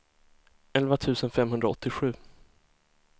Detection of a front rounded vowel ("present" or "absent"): absent